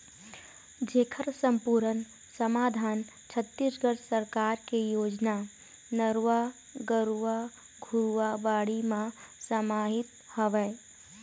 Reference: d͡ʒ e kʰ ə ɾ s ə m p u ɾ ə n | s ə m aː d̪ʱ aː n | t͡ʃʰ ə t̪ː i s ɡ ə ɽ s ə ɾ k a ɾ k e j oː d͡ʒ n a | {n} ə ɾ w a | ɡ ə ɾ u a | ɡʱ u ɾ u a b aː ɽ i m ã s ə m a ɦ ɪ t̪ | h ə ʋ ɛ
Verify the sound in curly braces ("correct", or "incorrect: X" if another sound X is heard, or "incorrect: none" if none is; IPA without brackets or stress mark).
correct